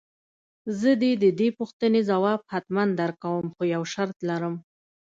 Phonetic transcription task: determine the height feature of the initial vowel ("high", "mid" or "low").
mid